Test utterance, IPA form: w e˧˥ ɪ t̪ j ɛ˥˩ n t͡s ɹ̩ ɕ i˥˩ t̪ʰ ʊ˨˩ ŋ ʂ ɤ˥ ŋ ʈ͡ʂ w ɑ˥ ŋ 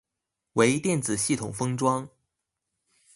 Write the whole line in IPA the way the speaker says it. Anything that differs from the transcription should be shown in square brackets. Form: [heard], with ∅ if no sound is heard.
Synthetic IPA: w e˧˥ ɪ t̪ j ɛ˥˩ n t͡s ɹ̩ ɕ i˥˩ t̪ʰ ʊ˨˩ ŋ [f] ɤ˥ ŋ ʈ͡ʂ w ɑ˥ ŋ